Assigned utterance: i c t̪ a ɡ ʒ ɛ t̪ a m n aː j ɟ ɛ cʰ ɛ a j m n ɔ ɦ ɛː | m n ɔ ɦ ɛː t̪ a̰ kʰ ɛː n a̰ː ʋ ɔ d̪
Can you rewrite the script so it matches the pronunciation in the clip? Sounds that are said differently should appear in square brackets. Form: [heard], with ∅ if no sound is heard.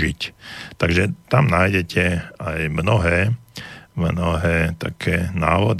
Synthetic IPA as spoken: i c t̪ a ɡ ʒ ɛ t̪ a m n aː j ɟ ɛ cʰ ɛ a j m n ɔ ɦ ɛː | m n ɔ ɦ ɛː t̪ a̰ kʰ ɛː n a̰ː ʋ ɔ d̪